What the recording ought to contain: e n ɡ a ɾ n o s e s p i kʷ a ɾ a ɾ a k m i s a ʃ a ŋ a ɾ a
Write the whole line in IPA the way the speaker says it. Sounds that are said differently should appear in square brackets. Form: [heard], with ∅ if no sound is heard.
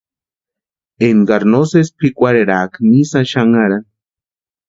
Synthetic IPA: e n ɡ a ɾ n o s e s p i kʷ a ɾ [e] ɾ a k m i s a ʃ a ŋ a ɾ a

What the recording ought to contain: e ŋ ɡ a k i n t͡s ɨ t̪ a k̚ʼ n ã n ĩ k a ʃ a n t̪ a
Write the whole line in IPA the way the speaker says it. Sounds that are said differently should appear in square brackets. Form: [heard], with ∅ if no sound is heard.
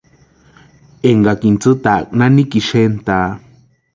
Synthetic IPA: e ŋ ɡ a k i n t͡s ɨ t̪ a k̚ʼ n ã n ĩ k [i] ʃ [e] n t̪ a

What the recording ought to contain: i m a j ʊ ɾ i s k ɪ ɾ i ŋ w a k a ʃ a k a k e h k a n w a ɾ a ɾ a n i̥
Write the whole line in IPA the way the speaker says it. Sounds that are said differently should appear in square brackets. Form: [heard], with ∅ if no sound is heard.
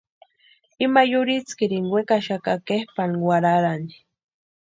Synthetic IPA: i m a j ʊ ɾ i [t͡s] k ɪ ɾ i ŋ w [e] k a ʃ a k a k e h [p] a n w a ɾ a ɾ a n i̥

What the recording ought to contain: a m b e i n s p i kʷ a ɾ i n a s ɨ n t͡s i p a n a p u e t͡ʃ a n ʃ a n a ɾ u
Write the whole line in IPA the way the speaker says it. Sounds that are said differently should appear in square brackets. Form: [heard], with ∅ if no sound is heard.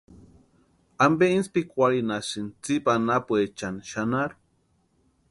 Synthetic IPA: a m b e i n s p i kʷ a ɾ i n a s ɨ n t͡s i p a n a p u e t͡ʃ a n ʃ a n a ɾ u

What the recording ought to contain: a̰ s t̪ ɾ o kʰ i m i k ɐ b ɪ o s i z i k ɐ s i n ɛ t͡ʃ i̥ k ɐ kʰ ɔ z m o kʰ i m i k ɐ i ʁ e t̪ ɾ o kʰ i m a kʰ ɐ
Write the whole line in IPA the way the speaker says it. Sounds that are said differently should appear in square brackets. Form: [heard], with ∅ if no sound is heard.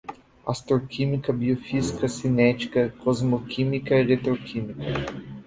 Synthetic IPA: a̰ s t̪ ɾ o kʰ i m i k ɐ b [i] o [f] i z i k ɐ s i n ɛ t͡ʃ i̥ k ɐ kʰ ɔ z m o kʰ i m i k ɐ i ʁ e t̪ ɾ o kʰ i m [i] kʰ ɐ

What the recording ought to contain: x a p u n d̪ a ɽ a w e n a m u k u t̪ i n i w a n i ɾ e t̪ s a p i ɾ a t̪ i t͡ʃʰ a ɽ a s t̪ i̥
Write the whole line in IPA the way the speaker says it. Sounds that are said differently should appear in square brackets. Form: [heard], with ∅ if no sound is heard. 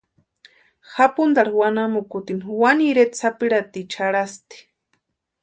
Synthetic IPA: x a p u n d̪ a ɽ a w [a] n a m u k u t̪ i n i w a n i ɾ e t̪ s a p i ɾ a t̪ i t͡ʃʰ a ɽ a s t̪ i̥

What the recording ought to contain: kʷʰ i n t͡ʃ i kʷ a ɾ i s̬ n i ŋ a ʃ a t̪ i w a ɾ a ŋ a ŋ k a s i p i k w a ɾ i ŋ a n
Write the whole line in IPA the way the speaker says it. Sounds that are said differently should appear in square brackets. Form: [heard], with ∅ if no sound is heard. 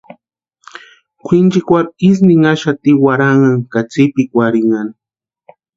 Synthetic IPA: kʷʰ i n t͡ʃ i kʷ a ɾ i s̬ n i ŋ a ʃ a t̪ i w a ɾ a ŋ a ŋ k a [t͡s] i p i k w a ɾ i ŋ a n

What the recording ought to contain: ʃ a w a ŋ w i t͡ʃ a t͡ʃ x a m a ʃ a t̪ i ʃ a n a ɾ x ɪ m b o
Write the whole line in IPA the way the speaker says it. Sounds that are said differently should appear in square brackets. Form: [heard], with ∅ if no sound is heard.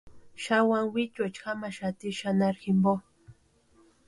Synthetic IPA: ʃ a w a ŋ w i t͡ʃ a t͡ʃ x a m a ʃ a t̪ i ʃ a n a ɾ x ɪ m b o

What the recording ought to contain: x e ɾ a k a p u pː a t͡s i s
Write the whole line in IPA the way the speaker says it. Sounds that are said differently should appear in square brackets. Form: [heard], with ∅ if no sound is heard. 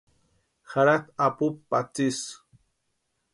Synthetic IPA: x [a] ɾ a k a p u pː a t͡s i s

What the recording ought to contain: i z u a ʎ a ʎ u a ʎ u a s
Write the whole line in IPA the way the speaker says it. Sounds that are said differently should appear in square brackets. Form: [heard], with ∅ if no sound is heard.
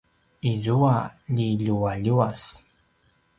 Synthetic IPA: i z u a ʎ [i] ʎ u a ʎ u a s

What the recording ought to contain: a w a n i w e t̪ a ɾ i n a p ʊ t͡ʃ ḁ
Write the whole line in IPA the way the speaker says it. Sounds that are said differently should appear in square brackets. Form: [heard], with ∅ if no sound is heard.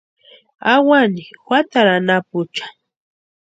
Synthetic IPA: a w a n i w [a] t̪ a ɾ [a] n a p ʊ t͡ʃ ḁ

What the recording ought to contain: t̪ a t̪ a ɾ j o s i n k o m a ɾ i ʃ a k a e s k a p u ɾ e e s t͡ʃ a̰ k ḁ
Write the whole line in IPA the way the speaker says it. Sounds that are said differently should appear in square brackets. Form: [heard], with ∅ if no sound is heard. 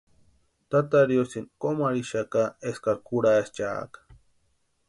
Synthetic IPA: t̪ a t̪ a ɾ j o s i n k o m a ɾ i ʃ a k a e s k a [k] u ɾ [a] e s t͡ʃ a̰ k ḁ

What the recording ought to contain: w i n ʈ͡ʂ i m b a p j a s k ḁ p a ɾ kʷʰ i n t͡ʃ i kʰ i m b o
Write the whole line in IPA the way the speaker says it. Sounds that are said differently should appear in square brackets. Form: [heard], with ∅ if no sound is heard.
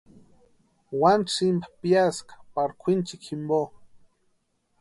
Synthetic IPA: w [a] n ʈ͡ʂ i m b a p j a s k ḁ p a ɾ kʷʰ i n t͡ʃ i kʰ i m b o

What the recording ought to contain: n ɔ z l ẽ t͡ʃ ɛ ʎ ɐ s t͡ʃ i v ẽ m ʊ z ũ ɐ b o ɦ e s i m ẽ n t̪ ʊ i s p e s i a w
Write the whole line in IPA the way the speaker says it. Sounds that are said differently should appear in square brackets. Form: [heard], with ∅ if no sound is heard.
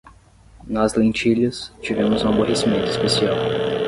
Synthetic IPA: n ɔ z l ẽ t͡ʃ [i] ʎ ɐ s t͡ʃ i v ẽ m ʊ z ũ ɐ b o ɦ e s i m ẽ n t̪ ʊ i s p e s i a w

